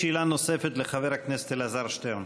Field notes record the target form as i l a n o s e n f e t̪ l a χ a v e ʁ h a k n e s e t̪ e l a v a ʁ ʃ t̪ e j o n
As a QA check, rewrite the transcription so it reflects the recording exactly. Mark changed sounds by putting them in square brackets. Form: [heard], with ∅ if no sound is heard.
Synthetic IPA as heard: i l a n o s e [∅] f e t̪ l [e] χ a v e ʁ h a k n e s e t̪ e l a [z] a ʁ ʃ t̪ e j o n